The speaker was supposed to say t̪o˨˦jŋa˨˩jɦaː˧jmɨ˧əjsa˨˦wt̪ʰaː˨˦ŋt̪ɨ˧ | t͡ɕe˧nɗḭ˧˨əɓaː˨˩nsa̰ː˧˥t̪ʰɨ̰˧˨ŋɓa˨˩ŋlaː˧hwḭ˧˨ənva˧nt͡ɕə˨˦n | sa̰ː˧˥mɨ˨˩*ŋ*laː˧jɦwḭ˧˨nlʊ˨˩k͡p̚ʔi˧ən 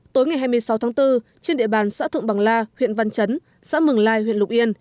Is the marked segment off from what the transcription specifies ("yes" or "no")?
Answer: no